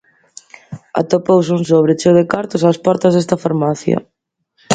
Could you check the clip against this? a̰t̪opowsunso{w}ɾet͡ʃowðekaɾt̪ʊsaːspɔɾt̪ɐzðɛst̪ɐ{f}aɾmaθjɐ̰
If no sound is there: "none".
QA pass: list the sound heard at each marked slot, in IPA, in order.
β, f

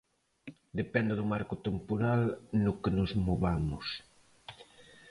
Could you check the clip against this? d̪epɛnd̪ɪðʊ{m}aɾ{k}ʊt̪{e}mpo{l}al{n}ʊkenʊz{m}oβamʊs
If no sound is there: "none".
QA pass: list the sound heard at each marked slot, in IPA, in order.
m, k, e, ɾ, n, m

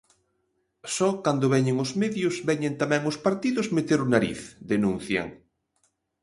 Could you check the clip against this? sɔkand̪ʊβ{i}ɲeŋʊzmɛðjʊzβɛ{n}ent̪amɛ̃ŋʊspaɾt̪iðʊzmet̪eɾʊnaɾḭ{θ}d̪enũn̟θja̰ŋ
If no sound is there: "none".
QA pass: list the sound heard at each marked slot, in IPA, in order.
ɛ, ɲ, θ

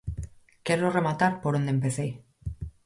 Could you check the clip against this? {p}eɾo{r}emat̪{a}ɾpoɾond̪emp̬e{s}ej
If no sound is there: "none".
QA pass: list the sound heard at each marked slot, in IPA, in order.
k, r, a, θ

